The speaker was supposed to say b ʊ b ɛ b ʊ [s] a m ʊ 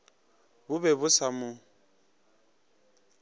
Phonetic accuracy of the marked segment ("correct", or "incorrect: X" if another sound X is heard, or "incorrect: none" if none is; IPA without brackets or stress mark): correct